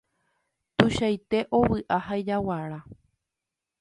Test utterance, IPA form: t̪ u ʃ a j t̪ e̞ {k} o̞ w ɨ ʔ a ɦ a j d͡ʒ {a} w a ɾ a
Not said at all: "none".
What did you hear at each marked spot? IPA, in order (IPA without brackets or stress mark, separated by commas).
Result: ʔ, a